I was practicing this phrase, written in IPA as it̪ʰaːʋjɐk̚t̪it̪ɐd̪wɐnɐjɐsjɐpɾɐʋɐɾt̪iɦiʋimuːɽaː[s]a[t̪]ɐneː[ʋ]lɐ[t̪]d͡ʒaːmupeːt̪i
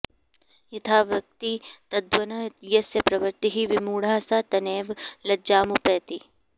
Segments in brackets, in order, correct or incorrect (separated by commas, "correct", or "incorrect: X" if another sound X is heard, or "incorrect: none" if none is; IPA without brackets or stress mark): correct, correct, correct, incorrect: none